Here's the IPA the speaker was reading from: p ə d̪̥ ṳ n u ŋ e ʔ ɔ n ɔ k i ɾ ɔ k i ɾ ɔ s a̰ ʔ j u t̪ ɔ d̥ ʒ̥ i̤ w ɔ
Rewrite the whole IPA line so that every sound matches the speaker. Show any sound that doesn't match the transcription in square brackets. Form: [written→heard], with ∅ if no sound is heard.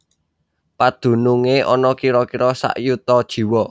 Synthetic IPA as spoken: p [ə→a] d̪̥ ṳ n u ŋ e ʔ ɔ n ɔ k i ɾ ɔ k i ɾ ɔ s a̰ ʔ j u t̪ ɔ d̥ ʒ̥ i̤ w ɔ